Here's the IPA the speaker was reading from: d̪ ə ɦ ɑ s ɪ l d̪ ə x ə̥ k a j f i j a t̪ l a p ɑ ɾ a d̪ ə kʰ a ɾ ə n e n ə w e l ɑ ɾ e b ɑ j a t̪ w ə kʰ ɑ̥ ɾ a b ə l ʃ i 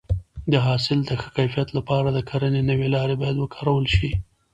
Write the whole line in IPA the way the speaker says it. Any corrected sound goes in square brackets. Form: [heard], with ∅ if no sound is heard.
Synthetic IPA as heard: d̪ ə ɦ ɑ s ɪ l d̪ ə x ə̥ k a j f i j a t̪ l a p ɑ ɾ a d̪ ə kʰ a ɾ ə n e n ə w e l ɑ ɾ e b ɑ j a [d̪] w ə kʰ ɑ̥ ɾ a [w] ə l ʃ i